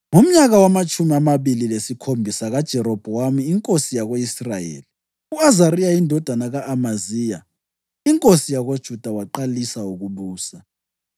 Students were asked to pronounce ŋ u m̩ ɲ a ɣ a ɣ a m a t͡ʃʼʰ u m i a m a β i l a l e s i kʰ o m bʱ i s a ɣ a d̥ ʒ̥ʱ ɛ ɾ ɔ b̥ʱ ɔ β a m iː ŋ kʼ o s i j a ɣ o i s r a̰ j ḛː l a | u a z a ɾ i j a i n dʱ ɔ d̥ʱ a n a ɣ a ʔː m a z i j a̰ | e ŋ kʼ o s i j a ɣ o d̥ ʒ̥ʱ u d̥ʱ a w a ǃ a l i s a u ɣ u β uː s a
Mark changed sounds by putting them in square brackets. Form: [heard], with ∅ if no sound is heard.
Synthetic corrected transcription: ŋ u m̩ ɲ a ɣ a [w] a m a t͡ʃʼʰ u m i a m a β i l [i] l e s i kʰ o m bʱ i s a ɣ a d̥ ʒ̥ʱ ɛ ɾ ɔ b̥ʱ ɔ [w] a m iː ŋ kʼ o s i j a ɣ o i s r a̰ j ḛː l [i] | u a z a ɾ i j a i n dʱ ɔ d̥ʱ a n a ɣ a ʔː m a z i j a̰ | [i] ŋ kʼ o s i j a ɣ o d̥ ʒ̥ʱ u d̥ʱ a w a ǃ a l i s a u ɣ u β uː s a